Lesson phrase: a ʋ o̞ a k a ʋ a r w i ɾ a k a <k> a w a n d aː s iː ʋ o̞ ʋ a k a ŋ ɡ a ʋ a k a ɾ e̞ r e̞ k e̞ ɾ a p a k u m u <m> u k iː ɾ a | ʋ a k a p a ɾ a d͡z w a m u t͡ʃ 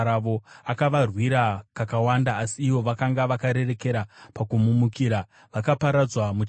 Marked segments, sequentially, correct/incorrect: correct, correct

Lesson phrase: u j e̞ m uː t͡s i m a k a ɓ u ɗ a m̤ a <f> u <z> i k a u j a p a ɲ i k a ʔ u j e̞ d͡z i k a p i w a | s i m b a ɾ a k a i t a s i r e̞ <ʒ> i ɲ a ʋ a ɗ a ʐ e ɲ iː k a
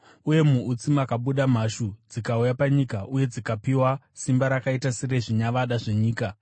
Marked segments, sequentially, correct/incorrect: incorrect: ʃ, incorrect: d͡z, incorrect: ʐ

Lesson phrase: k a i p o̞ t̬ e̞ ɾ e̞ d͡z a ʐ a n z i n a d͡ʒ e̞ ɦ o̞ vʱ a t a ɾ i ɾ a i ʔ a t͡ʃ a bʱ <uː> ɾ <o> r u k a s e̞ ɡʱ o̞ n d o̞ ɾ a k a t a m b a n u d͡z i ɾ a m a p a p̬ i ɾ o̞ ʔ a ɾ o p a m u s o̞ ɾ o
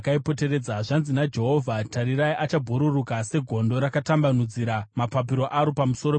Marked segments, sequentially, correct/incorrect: incorrect: u, incorrect: u

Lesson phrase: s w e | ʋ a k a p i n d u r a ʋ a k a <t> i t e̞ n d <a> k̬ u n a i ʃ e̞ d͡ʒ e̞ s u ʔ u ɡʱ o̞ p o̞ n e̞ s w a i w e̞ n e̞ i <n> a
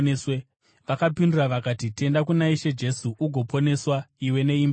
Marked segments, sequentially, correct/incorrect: correct, correct, incorrect: m

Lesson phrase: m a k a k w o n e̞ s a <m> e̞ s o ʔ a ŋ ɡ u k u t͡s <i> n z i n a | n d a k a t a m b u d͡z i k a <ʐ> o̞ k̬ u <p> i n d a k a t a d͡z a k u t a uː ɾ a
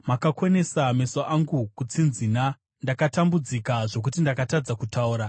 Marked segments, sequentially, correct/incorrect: correct, correct, correct, incorrect: t

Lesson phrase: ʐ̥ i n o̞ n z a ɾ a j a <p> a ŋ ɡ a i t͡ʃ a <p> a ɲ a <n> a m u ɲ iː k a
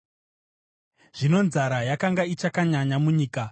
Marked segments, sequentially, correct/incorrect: incorrect: k, incorrect: k, incorrect: ɲ

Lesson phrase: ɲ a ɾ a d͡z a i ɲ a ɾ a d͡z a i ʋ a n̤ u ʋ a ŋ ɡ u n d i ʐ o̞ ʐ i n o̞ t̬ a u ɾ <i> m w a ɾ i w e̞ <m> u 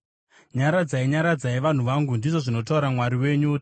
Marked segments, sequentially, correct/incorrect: incorrect: a, incorrect: ɲ

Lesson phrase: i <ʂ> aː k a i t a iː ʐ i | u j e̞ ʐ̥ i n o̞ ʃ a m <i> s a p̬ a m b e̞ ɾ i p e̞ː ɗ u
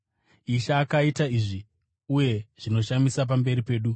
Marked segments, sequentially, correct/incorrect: incorrect: ʃ, correct

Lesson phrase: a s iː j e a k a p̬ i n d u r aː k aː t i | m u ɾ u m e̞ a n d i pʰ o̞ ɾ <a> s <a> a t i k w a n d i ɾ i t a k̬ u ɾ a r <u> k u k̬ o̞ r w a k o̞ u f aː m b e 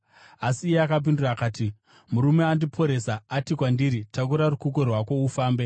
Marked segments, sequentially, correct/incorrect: incorrect: e, correct, correct

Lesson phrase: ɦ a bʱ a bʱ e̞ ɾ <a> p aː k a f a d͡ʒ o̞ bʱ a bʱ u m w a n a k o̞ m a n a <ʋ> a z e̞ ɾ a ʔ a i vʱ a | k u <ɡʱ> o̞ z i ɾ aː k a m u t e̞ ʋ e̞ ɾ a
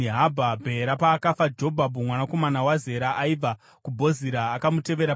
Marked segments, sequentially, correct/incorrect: correct, incorrect: w, incorrect: bʱ

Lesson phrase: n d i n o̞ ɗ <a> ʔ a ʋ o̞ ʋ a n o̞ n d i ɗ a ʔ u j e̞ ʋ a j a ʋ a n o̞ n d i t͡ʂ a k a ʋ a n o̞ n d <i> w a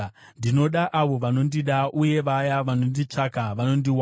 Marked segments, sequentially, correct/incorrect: correct, correct

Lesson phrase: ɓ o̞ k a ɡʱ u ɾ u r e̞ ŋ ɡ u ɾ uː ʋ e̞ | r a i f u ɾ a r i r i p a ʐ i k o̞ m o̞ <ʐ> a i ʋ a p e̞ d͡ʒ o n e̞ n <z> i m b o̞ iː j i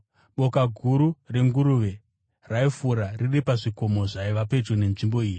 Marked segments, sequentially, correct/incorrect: correct, incorrect: ʐ

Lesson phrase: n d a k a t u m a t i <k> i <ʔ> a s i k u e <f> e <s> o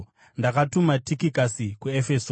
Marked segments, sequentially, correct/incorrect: correct, incorrect: k, correct, correct

